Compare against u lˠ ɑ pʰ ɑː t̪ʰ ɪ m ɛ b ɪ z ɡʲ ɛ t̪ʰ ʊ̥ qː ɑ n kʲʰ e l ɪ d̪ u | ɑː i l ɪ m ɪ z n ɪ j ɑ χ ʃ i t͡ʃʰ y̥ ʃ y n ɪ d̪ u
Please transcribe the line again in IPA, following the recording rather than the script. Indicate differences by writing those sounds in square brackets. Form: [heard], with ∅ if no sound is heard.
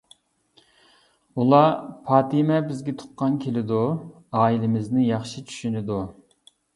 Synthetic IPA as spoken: u lˠ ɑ pʰ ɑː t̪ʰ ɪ m ɛ b ɪ z ɡʲ ɛ t̪ʰ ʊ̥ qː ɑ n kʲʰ e l ɪ d̪ u | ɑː i l ɪ m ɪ z n ɪ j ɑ χ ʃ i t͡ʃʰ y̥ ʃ y n ɪ d̪ u